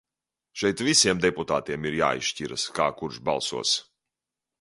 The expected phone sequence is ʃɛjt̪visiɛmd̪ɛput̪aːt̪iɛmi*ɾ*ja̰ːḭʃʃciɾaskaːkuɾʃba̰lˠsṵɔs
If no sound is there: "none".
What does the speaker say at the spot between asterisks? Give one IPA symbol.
ɾ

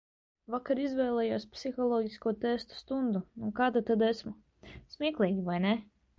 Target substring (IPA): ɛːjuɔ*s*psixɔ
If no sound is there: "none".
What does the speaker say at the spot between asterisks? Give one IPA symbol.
s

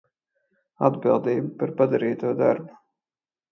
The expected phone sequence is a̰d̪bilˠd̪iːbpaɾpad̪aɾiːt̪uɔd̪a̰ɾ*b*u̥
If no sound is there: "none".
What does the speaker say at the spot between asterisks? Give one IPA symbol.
b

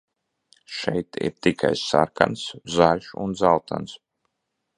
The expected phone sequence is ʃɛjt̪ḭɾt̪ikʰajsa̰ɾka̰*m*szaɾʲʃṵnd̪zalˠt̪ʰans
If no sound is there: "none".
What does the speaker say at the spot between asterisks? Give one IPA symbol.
n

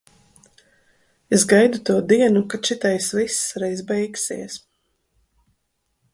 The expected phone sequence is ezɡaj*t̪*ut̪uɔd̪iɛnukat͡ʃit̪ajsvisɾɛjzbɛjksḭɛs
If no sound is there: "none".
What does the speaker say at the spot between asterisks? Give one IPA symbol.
d̪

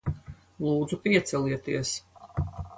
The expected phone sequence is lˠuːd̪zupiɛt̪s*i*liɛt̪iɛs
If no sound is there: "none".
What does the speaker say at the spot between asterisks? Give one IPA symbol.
ɛ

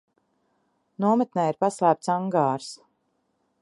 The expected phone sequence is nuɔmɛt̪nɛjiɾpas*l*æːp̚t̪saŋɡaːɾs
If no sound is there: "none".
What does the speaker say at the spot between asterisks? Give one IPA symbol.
l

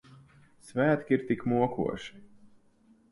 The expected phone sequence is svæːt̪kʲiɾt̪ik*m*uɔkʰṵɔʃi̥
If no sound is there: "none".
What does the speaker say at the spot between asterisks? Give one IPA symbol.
m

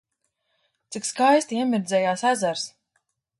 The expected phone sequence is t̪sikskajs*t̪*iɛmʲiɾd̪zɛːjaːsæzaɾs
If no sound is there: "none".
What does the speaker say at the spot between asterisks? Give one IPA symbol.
t̪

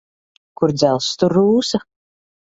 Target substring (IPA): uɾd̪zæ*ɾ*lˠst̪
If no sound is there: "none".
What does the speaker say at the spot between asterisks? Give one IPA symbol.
none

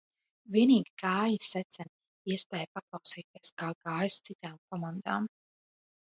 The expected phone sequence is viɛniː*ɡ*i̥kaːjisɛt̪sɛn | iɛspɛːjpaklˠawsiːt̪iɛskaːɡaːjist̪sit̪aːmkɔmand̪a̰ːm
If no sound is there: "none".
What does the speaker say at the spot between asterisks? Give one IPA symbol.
ɡ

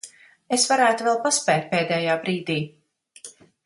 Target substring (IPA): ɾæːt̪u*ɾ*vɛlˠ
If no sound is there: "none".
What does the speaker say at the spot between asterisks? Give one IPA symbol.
none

